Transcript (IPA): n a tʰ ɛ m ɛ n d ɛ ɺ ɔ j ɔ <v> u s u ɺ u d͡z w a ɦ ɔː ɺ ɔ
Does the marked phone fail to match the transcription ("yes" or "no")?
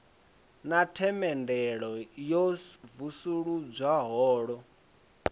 no